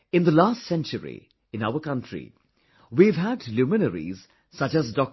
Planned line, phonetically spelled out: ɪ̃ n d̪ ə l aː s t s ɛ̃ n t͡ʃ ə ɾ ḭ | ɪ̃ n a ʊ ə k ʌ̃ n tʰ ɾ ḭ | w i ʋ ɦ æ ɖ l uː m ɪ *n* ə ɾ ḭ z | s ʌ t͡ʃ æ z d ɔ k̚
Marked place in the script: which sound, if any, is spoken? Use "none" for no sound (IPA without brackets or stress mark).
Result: n